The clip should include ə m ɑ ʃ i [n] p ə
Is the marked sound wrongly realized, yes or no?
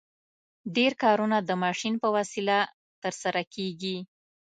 no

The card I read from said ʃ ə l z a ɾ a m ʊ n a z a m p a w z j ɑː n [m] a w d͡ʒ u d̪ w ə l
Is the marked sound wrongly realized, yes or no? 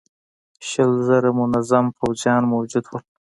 no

